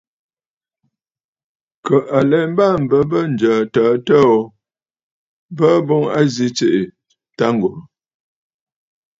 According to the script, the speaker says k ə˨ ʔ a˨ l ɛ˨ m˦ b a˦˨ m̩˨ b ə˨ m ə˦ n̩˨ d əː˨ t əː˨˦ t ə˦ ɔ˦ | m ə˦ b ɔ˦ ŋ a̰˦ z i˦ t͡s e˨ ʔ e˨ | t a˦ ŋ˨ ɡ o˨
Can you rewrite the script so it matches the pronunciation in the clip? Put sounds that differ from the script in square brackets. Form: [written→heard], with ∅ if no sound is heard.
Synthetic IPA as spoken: k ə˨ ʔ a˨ l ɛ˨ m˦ b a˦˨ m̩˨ b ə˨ [m→b] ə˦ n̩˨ [d→d͡ʒ] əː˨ t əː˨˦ t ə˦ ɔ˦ | [m→b] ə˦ b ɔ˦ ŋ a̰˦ z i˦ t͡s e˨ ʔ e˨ | t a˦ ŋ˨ ɡ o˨

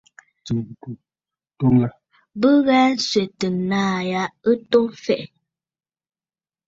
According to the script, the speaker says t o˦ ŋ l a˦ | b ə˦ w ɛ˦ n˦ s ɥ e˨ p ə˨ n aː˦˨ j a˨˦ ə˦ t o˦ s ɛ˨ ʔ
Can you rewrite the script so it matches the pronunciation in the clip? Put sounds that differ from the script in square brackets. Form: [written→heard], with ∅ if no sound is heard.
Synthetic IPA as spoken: t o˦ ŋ l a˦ | b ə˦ [w→ɣ] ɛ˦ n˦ s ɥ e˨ [p→t] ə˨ n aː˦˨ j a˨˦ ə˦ t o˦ [s→f] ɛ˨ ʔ

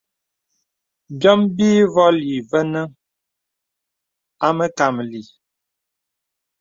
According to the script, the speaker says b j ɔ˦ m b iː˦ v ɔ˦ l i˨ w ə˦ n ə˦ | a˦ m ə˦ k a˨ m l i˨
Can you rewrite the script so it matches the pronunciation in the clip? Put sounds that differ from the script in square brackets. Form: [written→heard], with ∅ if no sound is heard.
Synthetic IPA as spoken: b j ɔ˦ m b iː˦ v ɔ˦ l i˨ [w→v] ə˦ n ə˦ | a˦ m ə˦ k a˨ m l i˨

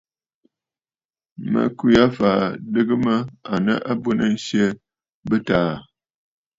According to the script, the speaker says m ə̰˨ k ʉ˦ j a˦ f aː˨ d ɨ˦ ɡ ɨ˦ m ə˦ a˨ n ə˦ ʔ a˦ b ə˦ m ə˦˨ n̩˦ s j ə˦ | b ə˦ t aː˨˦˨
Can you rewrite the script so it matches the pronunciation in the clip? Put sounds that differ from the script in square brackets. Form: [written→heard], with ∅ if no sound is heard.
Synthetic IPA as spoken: m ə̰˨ k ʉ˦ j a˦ f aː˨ d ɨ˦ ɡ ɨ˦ m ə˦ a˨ n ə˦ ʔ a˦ b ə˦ [m→n] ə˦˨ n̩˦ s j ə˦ | b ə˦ t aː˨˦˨

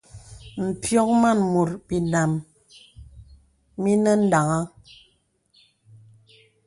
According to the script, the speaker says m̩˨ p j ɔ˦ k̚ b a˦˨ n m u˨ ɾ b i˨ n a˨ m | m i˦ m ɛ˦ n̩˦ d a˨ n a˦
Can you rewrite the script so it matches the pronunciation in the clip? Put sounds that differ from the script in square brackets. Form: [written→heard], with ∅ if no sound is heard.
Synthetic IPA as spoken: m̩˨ p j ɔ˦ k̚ [b→m] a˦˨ n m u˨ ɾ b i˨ n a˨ m | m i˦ [m→n] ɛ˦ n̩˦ d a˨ [n→ŋ] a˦

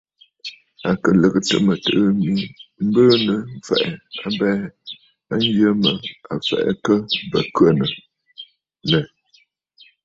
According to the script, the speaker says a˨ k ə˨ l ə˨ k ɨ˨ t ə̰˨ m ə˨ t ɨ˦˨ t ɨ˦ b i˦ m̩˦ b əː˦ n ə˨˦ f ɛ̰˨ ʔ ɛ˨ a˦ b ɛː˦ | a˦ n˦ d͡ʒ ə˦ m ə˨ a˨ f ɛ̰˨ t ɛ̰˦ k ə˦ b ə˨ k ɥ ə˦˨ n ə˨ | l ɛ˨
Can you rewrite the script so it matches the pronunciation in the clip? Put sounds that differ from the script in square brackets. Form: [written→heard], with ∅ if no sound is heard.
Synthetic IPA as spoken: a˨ k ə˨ l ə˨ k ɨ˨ t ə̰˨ m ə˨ t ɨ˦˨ [t→ʔ] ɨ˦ [b→m] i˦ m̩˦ b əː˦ n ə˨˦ f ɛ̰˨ ʔ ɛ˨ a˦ b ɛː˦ | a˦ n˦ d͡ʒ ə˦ m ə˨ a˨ f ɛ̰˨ [t→ʔ] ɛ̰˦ k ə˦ b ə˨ k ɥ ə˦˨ n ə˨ | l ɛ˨

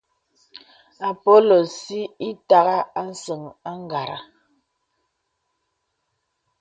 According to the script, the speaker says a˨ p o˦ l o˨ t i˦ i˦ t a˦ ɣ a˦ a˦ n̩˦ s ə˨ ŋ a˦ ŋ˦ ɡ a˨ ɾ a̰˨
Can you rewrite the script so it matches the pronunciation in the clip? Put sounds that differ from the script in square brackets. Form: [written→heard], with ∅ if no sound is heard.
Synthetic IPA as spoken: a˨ p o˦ l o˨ [t→s] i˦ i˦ t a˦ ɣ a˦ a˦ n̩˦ s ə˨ ŋ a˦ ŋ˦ ɡ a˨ ɾ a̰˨

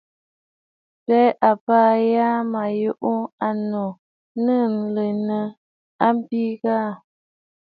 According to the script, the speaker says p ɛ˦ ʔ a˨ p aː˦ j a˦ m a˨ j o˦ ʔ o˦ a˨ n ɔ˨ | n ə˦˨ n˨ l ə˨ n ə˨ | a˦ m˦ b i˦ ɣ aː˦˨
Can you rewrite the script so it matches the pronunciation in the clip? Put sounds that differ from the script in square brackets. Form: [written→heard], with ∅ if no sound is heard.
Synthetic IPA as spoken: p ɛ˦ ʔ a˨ p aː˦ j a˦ m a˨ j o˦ ʔ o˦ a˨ n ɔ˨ | n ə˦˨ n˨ l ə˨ n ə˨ | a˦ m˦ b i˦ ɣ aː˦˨

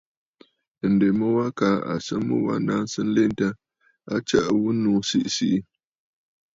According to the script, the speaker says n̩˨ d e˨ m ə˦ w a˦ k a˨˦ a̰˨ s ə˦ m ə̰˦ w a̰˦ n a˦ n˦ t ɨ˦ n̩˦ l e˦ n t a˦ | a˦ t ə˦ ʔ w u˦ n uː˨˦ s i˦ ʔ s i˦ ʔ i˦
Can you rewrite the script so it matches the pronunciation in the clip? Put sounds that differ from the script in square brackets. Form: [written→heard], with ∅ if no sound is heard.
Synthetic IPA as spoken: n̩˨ d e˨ m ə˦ w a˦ k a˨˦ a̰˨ s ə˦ m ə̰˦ w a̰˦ n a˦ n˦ [t→s] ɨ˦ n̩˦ l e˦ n t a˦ | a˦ [t→t͡ʃ] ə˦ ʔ w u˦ n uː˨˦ s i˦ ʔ s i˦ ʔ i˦

